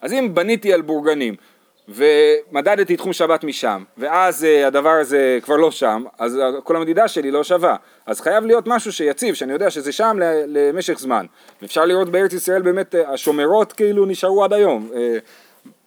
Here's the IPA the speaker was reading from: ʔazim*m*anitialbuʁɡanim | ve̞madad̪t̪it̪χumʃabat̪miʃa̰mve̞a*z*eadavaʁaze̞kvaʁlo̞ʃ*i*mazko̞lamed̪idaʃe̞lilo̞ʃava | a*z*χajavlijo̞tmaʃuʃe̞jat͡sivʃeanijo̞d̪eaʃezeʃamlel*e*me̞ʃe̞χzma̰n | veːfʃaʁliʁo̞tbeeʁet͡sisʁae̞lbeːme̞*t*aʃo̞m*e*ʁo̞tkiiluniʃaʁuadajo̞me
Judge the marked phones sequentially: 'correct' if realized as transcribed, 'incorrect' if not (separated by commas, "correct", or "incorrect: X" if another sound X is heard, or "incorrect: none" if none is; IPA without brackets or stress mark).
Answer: incorrect: b, correct, incorrect: a, correct, correct, correct, correct